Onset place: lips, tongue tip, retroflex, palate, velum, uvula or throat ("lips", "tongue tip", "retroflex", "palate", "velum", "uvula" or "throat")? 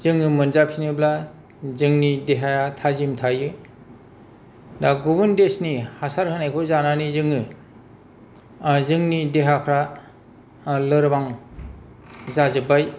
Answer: tongue tip